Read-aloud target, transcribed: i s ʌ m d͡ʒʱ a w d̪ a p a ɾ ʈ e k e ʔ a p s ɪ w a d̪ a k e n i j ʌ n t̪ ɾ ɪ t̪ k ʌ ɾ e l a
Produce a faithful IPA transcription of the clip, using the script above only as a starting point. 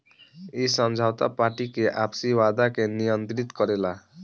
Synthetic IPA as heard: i s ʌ m d͡ʒʱ a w t̪ a p a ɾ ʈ i k e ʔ a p s i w a d̪ a k e n i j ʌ n t̪ ɾ i t̪ k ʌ ɾ e l a